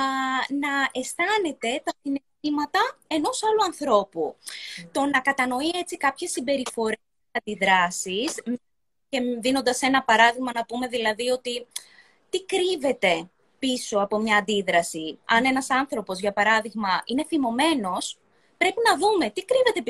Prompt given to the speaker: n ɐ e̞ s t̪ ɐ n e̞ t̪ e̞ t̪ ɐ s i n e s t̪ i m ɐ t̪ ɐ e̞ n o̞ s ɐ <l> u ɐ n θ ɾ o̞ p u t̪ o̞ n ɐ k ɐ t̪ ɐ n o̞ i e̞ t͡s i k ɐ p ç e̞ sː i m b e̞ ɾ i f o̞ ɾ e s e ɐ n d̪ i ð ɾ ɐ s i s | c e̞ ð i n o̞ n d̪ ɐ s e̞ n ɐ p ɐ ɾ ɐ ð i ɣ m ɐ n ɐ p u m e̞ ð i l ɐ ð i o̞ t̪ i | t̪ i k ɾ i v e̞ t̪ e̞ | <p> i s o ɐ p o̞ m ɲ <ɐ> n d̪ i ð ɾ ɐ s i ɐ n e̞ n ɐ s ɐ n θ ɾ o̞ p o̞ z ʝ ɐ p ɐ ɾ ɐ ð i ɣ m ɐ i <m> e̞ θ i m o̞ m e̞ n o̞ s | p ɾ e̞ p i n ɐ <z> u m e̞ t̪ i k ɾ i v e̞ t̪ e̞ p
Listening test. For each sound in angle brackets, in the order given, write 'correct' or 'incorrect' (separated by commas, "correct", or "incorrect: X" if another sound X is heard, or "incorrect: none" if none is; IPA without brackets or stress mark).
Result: correct, correct, incorrect: ɐː, incorrect: n, incorrect: ð